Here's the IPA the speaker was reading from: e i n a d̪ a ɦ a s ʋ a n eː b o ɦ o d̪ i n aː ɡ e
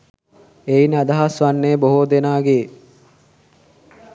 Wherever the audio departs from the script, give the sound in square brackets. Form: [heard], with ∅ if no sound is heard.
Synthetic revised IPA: e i n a d̪ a ɦ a s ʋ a [nː] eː b o ɦ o d̪ [e] n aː ɡ e

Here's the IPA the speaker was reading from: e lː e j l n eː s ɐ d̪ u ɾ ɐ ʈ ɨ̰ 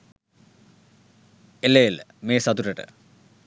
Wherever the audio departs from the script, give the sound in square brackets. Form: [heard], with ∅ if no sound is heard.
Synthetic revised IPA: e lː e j l [m] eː s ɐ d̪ u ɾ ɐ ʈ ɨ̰

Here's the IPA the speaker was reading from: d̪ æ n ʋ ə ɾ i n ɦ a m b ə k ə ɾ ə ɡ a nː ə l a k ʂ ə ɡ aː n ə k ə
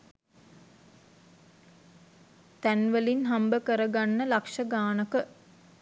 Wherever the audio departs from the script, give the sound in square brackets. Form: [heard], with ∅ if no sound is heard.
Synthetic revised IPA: [t̪] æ n ʋ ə [l] i n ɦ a m b ə k ə ɾ ə ɡ a nː ə l a k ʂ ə ɡ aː n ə k ə

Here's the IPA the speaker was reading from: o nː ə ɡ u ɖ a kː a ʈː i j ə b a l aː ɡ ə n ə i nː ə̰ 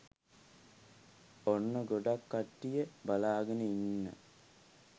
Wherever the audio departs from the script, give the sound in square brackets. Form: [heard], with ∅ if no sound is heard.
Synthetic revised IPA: o nː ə ɡ [o] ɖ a kː a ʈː i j ə b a l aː ɡ ə n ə i nː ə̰

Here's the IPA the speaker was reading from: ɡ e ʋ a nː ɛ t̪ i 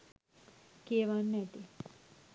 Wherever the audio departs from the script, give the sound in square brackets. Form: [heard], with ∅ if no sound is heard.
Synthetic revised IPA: [k] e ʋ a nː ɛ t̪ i

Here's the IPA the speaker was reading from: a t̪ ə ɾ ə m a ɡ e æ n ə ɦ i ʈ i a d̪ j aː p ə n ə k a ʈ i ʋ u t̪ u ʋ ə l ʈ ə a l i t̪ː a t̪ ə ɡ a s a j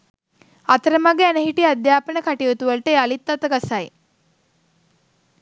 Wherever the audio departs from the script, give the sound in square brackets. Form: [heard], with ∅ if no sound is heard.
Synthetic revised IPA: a t̪ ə ɾ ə m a ɡ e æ n ə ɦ i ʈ i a d̪ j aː p ə n ə k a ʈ i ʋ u t̪ u ʋ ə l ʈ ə a l i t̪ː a t̪ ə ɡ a s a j

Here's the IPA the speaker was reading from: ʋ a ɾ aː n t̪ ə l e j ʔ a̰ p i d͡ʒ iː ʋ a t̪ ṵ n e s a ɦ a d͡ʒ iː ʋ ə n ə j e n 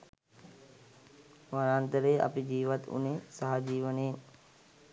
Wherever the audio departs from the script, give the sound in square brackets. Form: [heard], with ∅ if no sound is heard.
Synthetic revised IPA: ʋ a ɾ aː n t̪ ə [ɾ] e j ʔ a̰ p i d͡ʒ iː ʋ a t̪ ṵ n e s a ɦ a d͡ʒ iː ʋ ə n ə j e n

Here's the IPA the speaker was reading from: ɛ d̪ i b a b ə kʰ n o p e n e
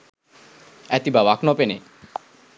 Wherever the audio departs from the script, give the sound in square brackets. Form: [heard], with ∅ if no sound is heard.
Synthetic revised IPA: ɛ [t̪] i b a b [a] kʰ n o p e n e

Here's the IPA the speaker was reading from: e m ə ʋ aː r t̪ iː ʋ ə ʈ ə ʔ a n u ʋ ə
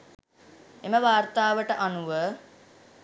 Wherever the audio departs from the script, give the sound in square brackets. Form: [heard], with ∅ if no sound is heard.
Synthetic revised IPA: e m ə ʋ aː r t̪ [aː] ʋ ə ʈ ə ʔ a n u ʋ ə

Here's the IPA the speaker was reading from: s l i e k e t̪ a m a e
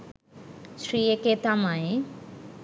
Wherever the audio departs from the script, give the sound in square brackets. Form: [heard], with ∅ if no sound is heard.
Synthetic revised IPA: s [ɾ] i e k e t̪ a m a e

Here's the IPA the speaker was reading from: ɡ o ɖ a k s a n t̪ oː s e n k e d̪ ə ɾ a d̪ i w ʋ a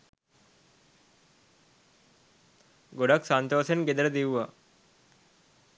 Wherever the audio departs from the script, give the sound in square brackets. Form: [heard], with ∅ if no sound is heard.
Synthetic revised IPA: ɡ o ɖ a k s a n t̪ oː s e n [ɡ] e d̪ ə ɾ [ə] d̪ i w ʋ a

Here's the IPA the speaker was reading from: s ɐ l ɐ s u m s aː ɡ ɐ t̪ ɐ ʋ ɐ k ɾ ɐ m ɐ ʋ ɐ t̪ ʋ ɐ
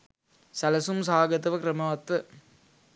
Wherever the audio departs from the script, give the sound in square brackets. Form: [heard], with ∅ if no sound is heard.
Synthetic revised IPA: s ɐ l ɐ s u m s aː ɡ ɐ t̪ ɐ ʋ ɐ k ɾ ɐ m ɐ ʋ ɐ t̪ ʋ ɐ

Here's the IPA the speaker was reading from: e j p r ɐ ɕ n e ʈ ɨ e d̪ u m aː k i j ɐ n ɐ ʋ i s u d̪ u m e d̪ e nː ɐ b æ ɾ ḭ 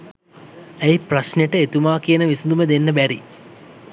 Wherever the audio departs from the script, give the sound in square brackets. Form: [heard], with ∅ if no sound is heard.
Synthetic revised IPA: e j p r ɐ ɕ n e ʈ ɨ e [t̪] u m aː k i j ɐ n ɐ ʋ i s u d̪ u m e d̪ e nː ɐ b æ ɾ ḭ

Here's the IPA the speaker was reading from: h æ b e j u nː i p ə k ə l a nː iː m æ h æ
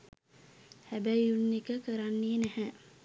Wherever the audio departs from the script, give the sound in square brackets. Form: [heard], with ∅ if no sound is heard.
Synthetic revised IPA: h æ b [æ] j u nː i [k] ə k ə [ɾ] a nː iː [n] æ h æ

